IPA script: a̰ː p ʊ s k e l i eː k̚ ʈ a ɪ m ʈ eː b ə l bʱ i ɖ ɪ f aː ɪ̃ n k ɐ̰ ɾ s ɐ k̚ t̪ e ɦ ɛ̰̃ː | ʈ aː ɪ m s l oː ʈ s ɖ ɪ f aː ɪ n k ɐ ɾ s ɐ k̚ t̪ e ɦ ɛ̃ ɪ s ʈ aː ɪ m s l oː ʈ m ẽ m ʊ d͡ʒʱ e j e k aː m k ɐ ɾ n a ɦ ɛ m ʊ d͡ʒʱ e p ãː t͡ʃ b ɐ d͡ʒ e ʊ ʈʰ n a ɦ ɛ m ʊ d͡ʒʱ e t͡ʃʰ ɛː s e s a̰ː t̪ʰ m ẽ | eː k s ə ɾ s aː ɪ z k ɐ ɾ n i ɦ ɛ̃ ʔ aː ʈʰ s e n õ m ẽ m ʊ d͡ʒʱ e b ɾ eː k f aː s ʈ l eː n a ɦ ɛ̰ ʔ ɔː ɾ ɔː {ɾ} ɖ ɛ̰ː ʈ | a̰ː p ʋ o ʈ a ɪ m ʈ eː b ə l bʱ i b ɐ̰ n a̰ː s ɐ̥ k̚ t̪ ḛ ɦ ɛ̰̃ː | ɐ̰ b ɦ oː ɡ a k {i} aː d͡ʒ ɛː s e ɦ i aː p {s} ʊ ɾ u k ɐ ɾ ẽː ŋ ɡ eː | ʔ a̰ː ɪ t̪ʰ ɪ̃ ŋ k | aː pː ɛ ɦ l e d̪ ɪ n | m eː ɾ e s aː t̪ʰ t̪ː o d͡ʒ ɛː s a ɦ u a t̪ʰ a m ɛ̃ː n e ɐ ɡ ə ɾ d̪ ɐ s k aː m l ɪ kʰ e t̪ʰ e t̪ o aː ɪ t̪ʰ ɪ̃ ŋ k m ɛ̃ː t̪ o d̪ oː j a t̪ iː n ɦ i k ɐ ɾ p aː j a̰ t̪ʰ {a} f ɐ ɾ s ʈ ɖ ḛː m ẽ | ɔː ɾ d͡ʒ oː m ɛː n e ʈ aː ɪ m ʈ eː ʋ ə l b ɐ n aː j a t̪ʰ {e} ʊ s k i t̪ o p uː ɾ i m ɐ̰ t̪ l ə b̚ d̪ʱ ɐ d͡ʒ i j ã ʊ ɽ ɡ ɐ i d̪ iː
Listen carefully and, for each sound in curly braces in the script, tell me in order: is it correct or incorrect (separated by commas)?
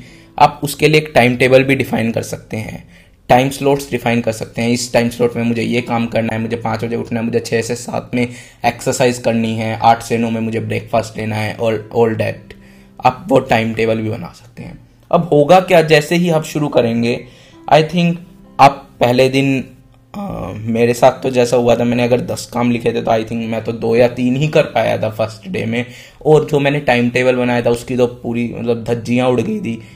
incorrect, incorrect, incorrect, correct, incorrect